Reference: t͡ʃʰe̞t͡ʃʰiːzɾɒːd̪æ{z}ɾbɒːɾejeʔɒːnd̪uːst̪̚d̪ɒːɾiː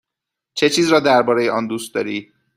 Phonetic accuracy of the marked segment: incorrect: none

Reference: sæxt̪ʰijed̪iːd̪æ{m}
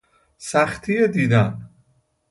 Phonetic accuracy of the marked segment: incorrect: n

